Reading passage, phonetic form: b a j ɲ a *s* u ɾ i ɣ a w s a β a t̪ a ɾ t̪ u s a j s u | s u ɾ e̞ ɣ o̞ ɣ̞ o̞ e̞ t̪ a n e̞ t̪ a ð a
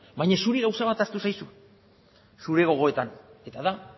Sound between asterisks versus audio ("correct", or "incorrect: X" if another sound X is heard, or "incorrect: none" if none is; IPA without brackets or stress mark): correct